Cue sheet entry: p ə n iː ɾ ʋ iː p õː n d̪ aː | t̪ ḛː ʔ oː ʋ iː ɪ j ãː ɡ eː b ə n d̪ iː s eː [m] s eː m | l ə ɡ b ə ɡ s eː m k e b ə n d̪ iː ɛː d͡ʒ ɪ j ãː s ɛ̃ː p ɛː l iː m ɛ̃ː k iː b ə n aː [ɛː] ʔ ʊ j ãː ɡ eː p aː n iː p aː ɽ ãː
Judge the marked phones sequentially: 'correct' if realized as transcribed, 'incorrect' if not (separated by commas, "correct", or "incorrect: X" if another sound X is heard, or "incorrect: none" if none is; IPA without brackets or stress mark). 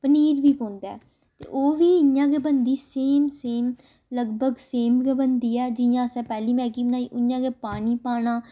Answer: correct, incorrect: iː